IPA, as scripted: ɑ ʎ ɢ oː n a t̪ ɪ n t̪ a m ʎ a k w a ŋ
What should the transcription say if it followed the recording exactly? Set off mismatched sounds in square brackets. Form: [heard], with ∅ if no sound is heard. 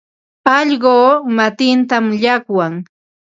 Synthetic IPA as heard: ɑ ʎ ɢ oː [m] a t̪ ɪ n t̪ a m ʎ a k w a ŋ

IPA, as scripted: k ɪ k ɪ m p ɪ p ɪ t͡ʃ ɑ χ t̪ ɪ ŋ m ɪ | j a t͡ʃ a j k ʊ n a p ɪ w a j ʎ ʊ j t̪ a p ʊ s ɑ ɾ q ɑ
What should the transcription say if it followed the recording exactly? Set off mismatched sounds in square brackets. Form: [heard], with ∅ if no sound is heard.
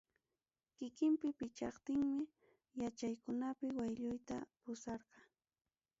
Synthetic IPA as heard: k ɪ k ɪ m p ɪ p ɪ t͡ʃ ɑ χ t̪ ɪ ŋ m ɪ | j a t͡ʃ a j k ʊ n a p ɪ w a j ʎ ʊ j t̪ a p ʊ s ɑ ɾ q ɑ

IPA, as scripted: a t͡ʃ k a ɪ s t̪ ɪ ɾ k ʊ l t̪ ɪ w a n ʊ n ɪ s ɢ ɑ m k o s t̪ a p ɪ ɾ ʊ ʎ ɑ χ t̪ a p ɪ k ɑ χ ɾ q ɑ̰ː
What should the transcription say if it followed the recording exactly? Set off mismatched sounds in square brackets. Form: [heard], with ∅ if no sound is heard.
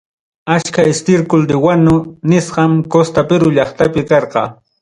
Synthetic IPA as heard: a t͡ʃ k a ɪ s t̪ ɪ ɾ k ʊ l [d̪] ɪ w a n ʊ n ɪ s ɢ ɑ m k o s t̪ a p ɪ ɾ ʊ ʎ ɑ χ t̪ a p ɪ k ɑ [∅] ɾ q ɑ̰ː

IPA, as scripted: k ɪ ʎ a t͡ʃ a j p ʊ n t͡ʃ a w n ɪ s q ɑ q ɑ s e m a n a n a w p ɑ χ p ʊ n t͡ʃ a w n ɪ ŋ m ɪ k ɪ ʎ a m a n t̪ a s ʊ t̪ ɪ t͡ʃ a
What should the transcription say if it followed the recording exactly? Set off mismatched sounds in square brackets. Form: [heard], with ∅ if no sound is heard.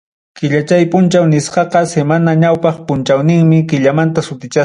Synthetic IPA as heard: k ɪ ʎ a t͡ʃ a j p ʊ n t͡ʃ a w n ɪ s q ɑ q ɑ s e m a n a [ɲ] a w p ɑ χ p ʊ n t͡ʃ a w n ɪ ŋ m ɪ k ɪ ʎ a m a n t̪ a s ʊ t̪ ɪ t͡ʃ a

